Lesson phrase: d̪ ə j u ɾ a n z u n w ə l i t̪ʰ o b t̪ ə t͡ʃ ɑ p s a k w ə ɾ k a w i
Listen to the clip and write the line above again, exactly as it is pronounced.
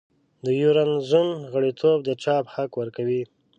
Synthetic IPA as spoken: d̪ ə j u ɾ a n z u n ɣ ə ɽ i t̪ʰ o b d̪ ə t͡ʃ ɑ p h a k w ə ɾ k a w i